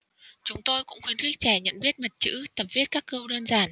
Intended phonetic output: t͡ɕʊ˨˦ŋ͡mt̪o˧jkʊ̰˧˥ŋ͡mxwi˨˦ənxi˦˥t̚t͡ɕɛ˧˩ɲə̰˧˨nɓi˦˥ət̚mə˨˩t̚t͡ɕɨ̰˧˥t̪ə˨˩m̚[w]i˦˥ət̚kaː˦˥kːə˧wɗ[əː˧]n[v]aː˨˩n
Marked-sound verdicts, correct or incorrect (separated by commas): incorrect, correct, incorrect